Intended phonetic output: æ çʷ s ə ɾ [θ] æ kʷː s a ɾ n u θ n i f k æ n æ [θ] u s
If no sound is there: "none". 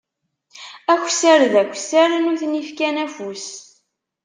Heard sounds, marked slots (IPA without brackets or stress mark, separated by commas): ð, f